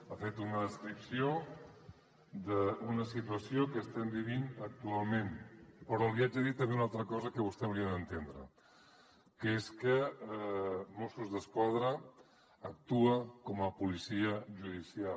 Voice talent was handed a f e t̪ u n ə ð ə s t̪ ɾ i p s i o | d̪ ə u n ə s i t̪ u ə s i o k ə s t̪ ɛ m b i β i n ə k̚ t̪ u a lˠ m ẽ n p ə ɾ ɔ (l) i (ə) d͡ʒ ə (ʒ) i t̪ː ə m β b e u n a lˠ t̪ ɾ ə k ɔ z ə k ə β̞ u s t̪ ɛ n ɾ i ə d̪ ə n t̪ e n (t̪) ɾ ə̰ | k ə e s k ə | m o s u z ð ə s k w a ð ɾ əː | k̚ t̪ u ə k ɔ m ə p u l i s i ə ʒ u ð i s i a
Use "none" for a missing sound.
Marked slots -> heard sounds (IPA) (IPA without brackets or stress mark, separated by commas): l, a, ð, d̪